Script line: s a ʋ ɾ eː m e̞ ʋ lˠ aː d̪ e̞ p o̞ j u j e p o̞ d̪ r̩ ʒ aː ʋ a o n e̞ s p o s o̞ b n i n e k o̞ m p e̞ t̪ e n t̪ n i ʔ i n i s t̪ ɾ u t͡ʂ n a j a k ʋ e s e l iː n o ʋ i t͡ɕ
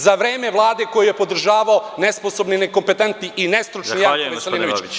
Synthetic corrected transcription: z a ʋ ɾ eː m e̞ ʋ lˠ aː d̪ e̞ k o̞ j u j e p o̞ d̪ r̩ ʒ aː ʋ a o n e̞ s p o s o̞ b n i n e k o̞ m p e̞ t̪ e n t̪ n i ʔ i n e s t̪ ɾ u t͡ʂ n i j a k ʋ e s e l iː n o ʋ i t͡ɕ